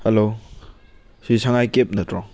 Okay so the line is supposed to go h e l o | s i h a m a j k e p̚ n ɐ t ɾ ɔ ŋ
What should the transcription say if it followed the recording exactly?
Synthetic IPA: h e l o | s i s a ŋ a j k e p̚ n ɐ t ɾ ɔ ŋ